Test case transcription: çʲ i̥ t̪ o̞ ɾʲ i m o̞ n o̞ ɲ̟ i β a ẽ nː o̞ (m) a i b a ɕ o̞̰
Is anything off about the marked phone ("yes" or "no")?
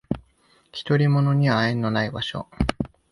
yes